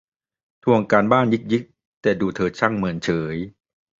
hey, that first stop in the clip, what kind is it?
aspirated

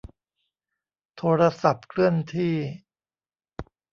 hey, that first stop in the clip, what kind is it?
aspirated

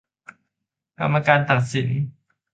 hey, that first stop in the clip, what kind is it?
plain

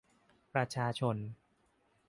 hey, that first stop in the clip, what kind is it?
plain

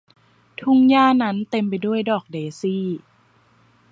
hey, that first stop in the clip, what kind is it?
aspirated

